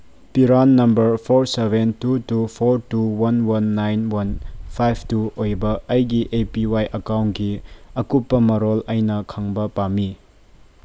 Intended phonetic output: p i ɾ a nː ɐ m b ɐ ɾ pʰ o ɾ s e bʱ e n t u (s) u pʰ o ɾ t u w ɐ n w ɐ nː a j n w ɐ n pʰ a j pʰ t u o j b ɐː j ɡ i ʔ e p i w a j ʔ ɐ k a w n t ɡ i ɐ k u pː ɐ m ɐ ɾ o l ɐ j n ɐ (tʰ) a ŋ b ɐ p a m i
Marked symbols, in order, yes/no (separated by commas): no, no